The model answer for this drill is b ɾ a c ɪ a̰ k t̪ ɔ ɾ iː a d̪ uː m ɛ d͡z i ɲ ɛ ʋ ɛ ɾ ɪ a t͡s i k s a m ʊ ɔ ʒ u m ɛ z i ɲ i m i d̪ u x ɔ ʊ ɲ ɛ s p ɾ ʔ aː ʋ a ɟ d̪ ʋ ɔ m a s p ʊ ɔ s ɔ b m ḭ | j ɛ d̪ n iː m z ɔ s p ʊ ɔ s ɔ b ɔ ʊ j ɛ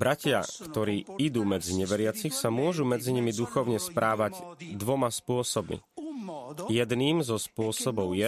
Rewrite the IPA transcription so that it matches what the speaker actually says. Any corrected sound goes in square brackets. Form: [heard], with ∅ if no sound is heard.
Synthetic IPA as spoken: b ɾ a c ɪ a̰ k t̪ ɔ ɾ iː [i] d̪ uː m ɛ d͡z i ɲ ɛ ʋ ɛ ɾ ɪ a t͡s i [x] s a m ʊ ɔ ʒ u m ɛ [d͡z] i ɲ i m i d̪ u x ɔ ʊ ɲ ɛ s p ɾ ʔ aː ʋ a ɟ d̪ ʋ ɔ m a s p ʊ ɔ s ɔ b m ḭ | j ɛ d̪ n iː m z ɔ s p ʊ ɔ s ɔ b ɔ ʊ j ɛ